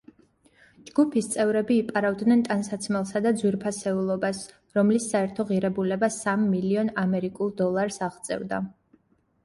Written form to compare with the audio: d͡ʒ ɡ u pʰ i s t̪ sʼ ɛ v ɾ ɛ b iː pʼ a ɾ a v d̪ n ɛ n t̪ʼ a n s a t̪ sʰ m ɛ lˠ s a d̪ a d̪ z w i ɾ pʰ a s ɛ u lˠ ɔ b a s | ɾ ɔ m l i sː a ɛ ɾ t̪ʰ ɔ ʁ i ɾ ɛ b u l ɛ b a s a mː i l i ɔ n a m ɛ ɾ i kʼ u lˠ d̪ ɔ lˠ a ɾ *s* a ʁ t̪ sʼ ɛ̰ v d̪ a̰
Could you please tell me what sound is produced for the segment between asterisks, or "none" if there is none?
s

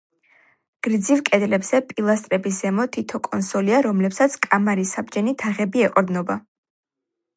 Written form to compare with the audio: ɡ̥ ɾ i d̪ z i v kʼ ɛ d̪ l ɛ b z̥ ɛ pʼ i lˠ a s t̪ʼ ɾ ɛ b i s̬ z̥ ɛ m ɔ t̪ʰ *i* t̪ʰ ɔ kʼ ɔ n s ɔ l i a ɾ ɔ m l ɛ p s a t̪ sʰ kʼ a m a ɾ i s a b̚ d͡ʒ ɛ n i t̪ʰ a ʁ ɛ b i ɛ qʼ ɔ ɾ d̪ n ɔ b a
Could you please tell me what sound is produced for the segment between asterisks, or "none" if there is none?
i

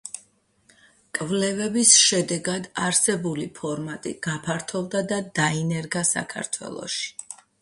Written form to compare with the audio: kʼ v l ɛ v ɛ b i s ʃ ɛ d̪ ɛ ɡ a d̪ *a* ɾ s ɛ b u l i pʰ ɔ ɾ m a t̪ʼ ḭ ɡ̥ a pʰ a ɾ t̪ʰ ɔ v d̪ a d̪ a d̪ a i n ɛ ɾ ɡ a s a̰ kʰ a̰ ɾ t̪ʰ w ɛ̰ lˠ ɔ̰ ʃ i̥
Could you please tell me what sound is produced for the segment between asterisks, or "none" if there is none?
a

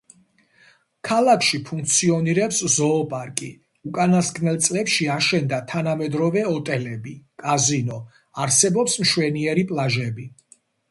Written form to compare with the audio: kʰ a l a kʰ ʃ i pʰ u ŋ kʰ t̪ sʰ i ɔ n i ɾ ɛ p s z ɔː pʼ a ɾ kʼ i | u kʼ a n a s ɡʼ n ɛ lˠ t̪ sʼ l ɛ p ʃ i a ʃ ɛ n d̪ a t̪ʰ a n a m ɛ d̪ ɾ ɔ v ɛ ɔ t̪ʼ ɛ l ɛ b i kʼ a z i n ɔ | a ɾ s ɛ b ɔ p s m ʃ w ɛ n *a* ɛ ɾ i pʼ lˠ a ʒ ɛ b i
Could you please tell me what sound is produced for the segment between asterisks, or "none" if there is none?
i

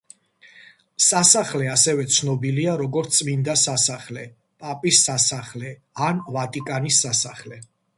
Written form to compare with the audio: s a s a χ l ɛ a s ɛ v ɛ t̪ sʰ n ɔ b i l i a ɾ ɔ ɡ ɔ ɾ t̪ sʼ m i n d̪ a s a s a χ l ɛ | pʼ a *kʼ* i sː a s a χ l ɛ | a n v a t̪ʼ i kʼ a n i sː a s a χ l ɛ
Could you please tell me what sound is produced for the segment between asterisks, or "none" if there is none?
pʼ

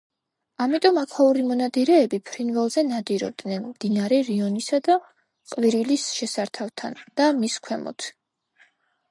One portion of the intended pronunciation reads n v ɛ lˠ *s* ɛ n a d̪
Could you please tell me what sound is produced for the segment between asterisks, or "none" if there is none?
z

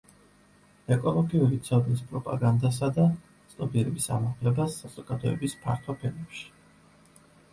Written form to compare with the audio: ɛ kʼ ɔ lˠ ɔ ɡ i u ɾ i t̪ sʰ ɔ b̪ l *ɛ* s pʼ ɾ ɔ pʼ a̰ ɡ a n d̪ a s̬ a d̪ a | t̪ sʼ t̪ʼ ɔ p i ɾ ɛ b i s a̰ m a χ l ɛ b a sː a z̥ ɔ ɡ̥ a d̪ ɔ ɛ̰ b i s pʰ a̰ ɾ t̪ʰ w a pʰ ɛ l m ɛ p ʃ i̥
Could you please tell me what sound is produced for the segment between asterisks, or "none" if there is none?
i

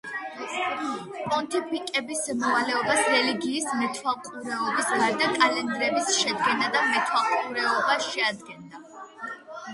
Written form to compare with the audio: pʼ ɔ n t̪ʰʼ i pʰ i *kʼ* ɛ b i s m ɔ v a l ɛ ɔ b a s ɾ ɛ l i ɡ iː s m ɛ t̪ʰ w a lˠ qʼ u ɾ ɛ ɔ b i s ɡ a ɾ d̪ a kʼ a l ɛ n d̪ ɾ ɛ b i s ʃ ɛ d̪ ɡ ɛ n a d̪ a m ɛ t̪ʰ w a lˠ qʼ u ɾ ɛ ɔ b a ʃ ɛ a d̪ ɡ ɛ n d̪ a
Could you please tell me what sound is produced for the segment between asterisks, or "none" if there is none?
kʼ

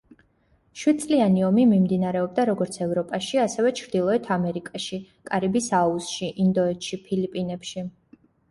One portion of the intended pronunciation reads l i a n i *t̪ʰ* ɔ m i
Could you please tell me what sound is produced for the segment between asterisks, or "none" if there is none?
none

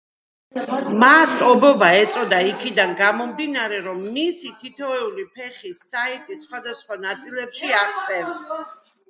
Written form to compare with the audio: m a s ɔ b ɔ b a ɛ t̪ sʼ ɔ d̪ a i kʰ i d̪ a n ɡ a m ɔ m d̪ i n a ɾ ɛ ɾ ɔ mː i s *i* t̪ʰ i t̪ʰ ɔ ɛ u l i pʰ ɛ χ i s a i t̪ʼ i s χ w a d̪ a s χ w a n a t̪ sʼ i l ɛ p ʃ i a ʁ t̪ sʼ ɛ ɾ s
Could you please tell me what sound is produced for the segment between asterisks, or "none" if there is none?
i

